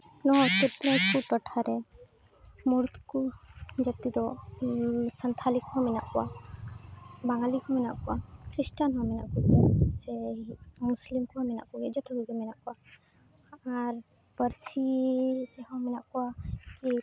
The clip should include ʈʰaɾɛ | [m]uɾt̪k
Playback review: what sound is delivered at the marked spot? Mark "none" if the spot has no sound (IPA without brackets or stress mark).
m